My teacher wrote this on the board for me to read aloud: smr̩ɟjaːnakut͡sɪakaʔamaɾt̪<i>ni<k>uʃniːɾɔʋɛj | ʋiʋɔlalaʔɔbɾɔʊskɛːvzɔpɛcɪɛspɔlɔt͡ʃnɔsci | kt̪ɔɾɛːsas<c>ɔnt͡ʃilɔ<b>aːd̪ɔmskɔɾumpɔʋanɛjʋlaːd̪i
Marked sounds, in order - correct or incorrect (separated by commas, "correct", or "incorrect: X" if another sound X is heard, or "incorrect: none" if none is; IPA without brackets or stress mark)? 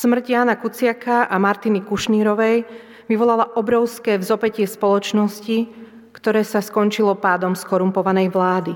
correct, correct, incorrect: k, incorrect: p